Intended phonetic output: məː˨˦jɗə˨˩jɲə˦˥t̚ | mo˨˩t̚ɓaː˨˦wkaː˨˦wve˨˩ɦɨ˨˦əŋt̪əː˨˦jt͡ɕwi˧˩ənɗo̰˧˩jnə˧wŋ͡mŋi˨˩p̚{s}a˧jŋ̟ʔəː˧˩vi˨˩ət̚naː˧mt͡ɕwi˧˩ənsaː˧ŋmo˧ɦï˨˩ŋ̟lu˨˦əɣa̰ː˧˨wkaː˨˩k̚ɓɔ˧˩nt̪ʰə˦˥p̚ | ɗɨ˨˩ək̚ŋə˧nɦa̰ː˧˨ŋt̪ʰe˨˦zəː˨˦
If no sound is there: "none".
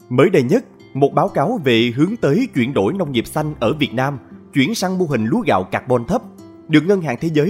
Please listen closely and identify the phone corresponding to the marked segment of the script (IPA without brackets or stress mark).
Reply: s